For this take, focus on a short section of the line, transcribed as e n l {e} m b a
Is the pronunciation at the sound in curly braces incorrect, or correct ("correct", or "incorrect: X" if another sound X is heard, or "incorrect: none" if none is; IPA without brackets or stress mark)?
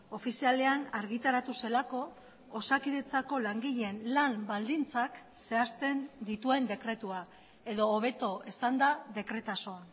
incorrect: a